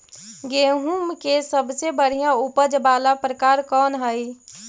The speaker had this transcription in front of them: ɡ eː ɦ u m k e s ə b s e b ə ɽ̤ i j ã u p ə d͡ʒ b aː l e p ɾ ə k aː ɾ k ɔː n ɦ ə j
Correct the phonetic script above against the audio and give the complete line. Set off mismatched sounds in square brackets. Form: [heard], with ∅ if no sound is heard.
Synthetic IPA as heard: ɡ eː ɦ u m k e s ə b s e b ə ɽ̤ i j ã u p ə d͡ʒ b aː l [a] p ɾ ə k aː ɾ k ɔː n ɦ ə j